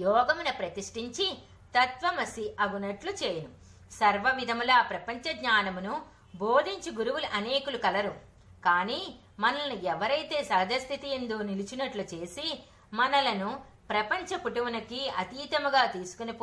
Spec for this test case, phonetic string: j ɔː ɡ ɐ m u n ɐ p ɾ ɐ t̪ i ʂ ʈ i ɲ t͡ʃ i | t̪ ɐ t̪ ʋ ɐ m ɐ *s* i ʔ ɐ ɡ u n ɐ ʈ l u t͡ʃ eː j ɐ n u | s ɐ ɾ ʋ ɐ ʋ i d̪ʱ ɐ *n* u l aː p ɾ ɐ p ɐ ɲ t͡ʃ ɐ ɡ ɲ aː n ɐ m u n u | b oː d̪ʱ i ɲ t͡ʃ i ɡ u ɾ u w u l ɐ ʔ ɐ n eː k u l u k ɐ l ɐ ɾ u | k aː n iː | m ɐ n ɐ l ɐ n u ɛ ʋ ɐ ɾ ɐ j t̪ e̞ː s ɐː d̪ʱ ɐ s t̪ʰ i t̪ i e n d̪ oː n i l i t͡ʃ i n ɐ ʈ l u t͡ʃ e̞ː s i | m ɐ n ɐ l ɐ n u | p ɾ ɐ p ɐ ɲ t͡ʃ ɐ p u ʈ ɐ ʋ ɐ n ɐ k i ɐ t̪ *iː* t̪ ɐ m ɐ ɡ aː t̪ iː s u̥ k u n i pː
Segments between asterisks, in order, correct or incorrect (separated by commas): correct, incorrect, correct